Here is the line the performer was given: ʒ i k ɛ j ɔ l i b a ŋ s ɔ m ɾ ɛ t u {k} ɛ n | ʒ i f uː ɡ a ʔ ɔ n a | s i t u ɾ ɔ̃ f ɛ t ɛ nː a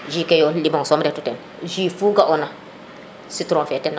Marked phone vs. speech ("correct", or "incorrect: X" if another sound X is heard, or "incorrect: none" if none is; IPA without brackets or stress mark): incorrect: t